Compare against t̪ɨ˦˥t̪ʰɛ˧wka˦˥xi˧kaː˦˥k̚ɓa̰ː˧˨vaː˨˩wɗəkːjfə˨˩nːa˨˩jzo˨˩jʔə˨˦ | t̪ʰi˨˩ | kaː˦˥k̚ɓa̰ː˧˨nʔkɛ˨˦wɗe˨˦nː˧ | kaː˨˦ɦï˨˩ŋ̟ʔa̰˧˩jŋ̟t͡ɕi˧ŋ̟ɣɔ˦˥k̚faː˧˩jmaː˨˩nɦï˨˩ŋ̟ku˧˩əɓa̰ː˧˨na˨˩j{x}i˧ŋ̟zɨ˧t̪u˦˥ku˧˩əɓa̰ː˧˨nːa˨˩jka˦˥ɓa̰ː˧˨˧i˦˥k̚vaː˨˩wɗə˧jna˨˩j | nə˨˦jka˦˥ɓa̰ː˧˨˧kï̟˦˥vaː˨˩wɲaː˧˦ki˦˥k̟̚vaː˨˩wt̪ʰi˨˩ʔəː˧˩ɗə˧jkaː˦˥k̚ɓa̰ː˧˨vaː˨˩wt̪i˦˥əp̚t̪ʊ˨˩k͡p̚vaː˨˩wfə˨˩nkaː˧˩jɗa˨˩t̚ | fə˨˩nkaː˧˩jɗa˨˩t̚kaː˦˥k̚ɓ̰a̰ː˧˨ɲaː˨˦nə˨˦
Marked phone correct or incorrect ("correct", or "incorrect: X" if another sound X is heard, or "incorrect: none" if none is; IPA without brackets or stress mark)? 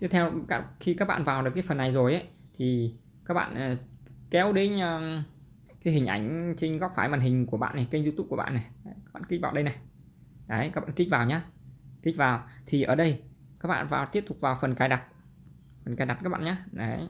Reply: incorrect: k